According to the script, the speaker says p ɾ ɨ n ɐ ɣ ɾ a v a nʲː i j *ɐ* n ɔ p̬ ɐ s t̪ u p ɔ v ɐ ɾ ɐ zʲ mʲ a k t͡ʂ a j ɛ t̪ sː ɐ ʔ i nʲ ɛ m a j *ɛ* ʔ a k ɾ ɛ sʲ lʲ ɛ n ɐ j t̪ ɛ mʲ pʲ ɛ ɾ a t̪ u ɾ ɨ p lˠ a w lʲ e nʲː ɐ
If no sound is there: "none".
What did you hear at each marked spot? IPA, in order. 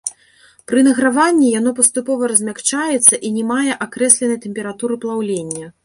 a, ɛ

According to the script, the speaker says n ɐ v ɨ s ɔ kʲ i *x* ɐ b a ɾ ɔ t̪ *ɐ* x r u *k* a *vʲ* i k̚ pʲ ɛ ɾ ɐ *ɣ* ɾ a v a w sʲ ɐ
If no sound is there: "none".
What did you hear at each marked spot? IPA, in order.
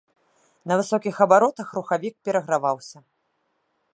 x, ɐ, x, vʲ, ɣ

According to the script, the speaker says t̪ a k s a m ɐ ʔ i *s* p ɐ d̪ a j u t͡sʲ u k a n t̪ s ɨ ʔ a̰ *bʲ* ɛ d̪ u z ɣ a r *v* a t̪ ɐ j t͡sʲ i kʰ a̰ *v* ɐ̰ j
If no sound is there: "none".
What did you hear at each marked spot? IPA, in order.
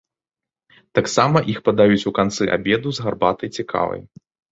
x, bʲ, b, v

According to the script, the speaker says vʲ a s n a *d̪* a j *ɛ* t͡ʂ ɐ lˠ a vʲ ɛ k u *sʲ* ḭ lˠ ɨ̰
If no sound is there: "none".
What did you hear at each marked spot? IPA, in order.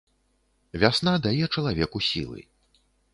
d̪, ɛ, sʲ

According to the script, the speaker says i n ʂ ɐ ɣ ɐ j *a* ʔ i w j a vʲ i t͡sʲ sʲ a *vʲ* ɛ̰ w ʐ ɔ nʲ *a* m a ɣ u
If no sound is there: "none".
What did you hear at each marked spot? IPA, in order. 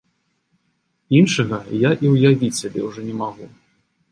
a, bʲ, ɛ

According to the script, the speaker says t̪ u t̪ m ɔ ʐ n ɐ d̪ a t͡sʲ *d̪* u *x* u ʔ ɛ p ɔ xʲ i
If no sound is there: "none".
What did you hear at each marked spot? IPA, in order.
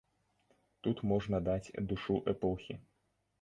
d̪, ʂ

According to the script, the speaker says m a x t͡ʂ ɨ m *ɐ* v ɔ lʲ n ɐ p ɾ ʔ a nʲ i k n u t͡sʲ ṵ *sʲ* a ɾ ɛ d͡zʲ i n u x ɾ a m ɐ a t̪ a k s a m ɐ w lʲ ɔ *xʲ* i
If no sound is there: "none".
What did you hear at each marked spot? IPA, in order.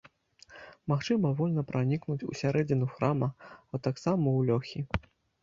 ɐ, sʲ, xʲ

